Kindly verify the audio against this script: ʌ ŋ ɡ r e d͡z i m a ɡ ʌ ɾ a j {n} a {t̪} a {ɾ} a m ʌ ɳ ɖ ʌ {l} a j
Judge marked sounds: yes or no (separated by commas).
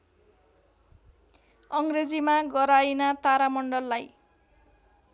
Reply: yes, yes, yes, no